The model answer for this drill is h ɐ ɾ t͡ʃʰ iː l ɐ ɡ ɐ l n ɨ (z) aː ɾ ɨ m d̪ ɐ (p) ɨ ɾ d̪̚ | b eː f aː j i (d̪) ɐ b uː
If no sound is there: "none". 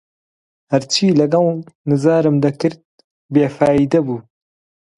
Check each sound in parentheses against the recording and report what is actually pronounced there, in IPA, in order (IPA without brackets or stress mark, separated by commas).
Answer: z, k, d̪